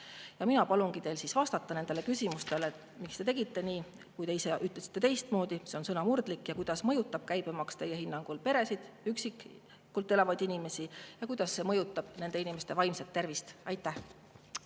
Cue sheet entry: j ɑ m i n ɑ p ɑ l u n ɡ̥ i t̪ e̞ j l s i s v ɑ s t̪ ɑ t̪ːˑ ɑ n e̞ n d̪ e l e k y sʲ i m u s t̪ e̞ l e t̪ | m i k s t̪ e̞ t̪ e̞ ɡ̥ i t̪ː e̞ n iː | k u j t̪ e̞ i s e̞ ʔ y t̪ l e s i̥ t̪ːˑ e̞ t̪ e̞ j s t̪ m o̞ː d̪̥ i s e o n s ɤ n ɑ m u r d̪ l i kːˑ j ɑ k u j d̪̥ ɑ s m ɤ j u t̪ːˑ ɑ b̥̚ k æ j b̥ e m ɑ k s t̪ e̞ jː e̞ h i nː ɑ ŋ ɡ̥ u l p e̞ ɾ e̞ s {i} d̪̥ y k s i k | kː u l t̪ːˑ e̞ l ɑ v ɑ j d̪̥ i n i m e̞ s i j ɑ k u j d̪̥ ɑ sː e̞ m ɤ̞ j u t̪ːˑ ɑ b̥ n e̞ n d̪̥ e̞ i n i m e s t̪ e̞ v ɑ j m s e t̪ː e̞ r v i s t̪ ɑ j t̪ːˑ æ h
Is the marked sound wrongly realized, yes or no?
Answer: no